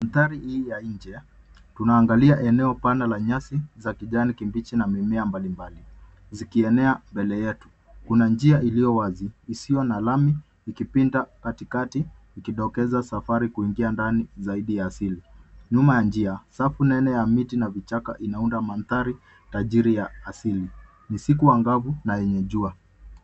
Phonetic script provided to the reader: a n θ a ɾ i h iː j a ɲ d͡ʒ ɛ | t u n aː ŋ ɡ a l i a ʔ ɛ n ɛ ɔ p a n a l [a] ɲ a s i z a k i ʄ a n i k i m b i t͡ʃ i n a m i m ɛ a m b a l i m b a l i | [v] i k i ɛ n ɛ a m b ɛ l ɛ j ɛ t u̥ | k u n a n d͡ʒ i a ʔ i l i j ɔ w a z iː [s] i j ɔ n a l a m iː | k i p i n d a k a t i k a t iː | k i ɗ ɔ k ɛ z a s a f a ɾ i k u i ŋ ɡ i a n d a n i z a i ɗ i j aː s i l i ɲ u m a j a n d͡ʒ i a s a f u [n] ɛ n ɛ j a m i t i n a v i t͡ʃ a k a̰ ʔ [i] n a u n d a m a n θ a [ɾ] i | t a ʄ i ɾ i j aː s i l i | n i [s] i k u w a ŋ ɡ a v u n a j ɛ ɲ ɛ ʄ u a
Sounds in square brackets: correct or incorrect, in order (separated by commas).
correct, incorrect, correct, correct, correct, correct, correct